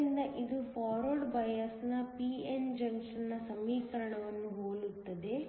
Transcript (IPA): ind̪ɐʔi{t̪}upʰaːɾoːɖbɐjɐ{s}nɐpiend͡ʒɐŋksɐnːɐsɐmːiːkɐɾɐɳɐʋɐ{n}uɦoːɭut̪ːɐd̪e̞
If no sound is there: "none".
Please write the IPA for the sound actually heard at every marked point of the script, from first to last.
d̪, s, nː

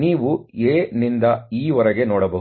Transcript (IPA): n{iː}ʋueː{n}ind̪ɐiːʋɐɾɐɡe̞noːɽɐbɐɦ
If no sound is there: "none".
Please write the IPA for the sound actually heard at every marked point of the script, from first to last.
iː, n

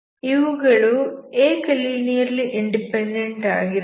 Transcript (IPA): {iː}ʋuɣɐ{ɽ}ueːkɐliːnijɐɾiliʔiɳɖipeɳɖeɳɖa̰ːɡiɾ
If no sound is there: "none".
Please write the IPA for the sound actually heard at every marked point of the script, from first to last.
i, ɭ

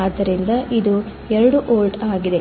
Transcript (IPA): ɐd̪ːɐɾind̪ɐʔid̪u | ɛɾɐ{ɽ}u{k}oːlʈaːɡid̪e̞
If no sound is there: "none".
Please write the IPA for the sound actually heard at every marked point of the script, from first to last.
ɽ, ʔ

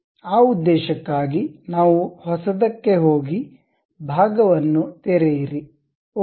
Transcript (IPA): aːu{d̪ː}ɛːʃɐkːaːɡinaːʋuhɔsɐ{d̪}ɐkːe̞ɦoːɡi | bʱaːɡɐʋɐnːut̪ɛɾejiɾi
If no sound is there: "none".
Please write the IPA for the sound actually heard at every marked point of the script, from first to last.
d̪ː, d̪

